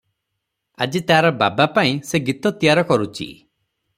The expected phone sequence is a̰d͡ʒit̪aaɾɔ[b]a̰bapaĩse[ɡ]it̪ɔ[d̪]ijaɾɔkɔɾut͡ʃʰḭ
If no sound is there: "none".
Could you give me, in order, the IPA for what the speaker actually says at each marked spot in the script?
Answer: b, ɡ, t̪

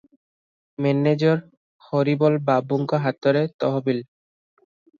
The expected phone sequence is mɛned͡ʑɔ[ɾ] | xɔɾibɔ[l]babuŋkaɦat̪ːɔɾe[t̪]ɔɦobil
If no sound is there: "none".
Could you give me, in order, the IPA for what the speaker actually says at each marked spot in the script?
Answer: ɾ, l, t̪

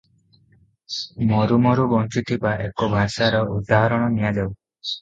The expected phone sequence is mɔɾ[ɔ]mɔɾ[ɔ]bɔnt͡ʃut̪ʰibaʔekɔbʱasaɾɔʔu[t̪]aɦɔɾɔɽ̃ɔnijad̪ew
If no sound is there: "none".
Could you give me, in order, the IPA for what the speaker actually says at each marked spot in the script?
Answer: u, u, d̪

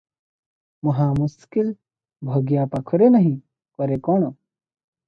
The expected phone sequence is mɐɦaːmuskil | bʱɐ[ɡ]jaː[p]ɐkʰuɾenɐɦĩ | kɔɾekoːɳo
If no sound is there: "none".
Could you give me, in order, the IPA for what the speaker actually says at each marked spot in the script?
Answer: ɡ, p

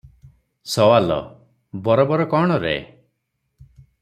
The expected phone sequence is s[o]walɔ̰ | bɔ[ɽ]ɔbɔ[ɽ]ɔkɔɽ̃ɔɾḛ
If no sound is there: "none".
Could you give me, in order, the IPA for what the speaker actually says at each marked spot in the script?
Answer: ɔ, ɾ, ɾ

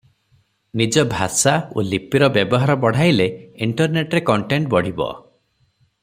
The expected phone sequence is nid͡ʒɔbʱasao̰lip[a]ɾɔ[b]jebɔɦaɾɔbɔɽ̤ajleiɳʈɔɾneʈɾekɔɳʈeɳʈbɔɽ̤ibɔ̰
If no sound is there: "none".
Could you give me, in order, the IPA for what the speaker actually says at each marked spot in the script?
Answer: i, b

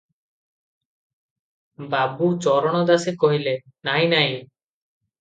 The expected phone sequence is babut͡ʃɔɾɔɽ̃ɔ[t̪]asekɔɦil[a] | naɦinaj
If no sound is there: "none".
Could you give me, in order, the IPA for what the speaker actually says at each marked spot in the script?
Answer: d̪, e

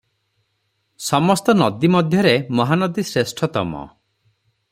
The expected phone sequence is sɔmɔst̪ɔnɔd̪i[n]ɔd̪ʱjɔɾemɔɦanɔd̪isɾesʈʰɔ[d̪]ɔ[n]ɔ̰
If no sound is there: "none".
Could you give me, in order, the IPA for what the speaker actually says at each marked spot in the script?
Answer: m, t̪, m

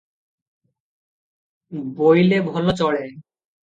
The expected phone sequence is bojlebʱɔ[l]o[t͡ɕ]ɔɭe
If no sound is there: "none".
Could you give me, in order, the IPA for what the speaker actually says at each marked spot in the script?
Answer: l, t͡ɕ

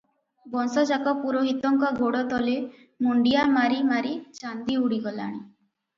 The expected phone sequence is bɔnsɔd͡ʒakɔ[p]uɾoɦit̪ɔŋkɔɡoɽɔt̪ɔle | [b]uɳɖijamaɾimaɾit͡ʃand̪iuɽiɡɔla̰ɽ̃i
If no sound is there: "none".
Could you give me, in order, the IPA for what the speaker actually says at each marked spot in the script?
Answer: p, m

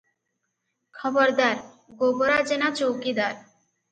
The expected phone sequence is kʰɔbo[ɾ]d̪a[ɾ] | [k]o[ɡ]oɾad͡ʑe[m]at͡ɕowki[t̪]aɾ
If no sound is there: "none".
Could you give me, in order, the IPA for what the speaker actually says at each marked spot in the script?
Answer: ɾ, ɾ, ɡ, b, n, d̪

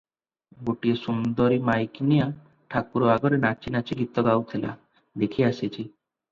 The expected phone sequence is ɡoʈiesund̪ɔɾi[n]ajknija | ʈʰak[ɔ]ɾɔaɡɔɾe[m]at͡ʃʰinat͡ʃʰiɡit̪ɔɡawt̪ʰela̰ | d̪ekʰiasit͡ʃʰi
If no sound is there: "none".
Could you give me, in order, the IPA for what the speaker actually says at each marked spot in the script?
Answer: m, u, n

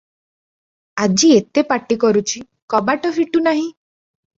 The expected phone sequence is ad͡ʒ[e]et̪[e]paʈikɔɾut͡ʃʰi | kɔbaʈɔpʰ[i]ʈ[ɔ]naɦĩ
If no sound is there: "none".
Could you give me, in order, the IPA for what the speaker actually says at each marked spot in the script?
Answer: i, e, i, u

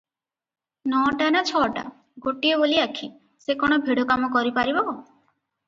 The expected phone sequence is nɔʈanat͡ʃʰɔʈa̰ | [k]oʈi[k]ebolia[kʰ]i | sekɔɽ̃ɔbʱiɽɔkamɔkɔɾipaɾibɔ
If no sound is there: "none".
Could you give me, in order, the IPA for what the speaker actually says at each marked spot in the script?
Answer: ɡ, none, kʰ

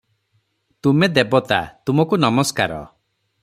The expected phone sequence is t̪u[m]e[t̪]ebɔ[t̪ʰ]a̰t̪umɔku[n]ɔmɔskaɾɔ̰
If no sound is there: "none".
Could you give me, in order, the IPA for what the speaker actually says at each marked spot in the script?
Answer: m, d̪, t̪, n

